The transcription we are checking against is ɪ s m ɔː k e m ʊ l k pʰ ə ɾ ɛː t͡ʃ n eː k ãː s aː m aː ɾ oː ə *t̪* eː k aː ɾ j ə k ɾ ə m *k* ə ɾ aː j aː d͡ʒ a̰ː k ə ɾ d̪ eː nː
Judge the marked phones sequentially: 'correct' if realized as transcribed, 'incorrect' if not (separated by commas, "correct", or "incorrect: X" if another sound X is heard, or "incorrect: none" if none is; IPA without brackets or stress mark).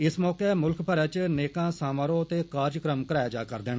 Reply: correct, correct